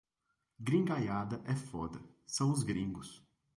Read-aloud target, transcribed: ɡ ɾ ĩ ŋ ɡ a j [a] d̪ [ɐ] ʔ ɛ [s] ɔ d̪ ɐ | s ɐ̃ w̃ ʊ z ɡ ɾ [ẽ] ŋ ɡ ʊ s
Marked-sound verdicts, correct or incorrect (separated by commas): correct, correct, incorrect, incorrect